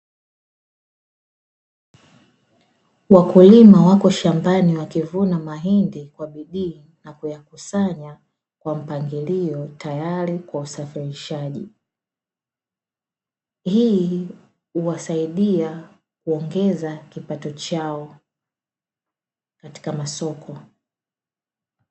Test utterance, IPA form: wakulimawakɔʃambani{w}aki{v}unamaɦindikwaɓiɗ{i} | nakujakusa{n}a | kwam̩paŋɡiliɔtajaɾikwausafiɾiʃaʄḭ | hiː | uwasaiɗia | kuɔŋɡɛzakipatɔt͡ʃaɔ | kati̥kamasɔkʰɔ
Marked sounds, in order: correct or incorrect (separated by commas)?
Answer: correct, correct, incorrect, incorrect